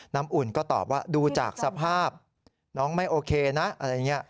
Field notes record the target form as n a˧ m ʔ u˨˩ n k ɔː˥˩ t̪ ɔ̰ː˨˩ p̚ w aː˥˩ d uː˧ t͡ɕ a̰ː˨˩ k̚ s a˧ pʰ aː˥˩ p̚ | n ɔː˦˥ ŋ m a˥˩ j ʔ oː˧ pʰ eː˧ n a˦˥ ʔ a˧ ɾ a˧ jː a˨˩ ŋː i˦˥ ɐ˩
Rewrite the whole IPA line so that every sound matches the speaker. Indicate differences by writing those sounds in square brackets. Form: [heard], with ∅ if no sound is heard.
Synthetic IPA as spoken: n [a˦˥] m ʔ u˨˩ n k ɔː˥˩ t̪ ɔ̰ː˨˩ p̚ w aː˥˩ d uː˧ t͡ɕ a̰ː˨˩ k̚ s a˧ pʰ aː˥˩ p̚ | n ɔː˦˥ ŋ m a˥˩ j ʔ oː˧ [kʰ] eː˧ n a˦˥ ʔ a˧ ɾ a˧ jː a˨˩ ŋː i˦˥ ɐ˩